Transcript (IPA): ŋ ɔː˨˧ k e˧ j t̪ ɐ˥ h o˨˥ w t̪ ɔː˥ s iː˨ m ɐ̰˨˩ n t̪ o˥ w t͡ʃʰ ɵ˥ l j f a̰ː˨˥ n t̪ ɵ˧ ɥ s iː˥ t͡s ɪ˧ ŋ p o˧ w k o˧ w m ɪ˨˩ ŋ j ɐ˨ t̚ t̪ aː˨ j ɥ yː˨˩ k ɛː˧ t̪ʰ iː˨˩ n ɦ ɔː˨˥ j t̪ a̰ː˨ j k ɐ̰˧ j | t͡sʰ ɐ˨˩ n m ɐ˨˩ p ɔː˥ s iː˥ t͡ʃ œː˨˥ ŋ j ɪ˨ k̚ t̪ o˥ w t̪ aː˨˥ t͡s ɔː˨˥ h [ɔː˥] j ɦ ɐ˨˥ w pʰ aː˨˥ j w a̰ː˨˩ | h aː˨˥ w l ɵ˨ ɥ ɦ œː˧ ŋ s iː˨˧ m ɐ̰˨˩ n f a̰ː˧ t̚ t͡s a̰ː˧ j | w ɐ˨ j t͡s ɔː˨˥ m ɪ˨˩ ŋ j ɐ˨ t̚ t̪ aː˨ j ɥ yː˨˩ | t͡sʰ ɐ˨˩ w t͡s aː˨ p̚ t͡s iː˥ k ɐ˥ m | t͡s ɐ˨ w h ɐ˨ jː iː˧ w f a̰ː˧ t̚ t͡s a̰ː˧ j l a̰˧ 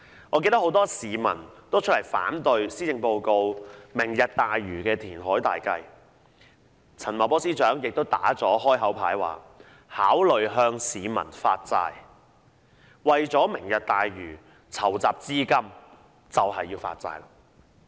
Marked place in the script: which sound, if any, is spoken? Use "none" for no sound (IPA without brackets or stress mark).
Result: ɔː˥